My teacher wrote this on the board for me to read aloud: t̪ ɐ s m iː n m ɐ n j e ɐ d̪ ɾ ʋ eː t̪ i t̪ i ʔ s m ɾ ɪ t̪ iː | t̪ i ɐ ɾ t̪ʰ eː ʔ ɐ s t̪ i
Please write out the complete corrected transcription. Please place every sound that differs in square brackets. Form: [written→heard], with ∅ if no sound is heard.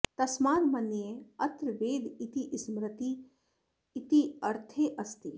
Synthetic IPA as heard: t̪ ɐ s m [iː→aː] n m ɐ n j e ɐ [d̪→t̪] ɾ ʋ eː [t̪→d̪] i t̪ i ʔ s m ɾ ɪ t̪ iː | t̪ i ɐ ɾ t̪ʰ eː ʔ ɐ s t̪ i